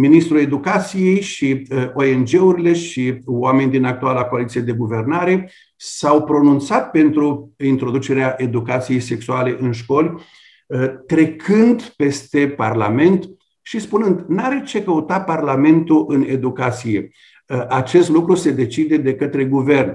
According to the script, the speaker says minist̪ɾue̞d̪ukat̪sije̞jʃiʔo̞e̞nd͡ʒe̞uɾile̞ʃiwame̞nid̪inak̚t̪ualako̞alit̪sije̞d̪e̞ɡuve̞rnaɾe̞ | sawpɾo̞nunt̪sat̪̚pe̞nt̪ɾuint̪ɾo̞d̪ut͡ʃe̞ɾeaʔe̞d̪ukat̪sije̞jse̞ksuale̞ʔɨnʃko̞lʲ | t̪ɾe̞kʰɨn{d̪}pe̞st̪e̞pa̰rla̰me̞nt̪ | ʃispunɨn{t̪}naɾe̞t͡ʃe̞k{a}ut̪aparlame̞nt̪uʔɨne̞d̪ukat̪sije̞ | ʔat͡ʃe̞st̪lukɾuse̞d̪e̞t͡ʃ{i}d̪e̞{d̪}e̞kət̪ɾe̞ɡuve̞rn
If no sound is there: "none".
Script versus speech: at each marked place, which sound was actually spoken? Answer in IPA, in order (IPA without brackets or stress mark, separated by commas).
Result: d̪, d̪, ə, i, d̪